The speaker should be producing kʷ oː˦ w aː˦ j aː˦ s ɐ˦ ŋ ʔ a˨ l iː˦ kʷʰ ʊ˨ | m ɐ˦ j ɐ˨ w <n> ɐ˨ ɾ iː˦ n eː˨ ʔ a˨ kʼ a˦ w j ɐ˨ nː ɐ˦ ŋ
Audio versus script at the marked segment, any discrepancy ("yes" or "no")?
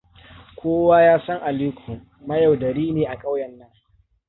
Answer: yes